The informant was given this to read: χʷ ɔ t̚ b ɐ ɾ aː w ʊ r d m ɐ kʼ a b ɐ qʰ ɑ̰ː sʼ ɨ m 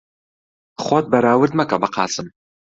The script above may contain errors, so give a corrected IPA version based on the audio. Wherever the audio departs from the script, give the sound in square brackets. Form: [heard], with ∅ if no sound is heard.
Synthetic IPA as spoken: χʷ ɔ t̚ b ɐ ɾ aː w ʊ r d m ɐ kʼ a b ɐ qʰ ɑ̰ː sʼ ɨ m